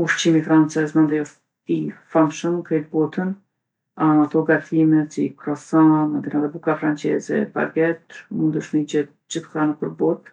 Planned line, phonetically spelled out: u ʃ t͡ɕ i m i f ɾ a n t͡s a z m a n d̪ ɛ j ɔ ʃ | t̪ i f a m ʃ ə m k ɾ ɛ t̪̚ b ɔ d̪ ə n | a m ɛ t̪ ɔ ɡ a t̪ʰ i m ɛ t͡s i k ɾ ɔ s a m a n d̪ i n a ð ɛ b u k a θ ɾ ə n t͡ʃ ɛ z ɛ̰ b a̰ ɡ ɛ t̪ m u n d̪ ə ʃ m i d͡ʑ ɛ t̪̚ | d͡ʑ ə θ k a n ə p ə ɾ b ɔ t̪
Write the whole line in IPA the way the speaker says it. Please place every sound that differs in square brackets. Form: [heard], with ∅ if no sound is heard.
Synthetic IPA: u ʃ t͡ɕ i m i f ɾ a n t͡s [ɛ] z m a n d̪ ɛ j ɔ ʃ | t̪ i f a m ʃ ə m k ɾ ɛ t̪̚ b ɔ [t̪] ə n | a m [a] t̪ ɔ ɡ a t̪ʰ i m ɛ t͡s i k ɾ ɔ s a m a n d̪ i n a ð ɛ b u k a [f] ɾ [a] n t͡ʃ ɛ z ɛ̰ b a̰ ɡ ɛ t̪ m u n d̪ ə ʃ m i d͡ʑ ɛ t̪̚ | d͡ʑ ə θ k a n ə p ə ɾ b ɔ t̪